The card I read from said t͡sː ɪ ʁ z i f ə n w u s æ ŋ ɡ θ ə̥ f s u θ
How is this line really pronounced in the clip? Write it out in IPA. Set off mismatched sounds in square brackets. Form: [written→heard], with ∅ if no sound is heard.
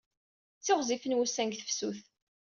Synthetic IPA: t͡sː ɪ ʁ z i f ə n w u s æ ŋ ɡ θ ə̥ f s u θ